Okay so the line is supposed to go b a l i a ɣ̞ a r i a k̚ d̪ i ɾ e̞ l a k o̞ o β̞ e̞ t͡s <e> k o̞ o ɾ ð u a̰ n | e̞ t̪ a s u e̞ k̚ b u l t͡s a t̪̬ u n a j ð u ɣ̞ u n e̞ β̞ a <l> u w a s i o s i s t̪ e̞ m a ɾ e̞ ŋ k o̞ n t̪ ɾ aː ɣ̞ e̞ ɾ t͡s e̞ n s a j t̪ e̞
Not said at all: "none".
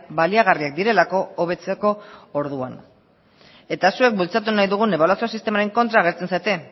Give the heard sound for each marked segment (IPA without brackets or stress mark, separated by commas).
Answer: e, l